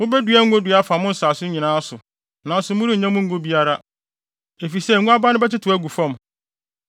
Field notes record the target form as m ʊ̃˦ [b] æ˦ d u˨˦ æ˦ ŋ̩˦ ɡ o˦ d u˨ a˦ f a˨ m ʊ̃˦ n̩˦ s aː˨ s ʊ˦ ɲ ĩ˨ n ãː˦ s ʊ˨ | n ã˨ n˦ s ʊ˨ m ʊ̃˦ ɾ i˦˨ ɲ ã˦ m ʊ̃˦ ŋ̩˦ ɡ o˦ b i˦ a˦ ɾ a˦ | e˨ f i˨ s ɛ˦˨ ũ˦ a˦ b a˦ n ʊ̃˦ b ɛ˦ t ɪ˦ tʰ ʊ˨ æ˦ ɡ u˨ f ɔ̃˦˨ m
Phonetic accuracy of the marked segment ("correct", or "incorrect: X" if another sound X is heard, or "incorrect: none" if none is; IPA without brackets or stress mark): correct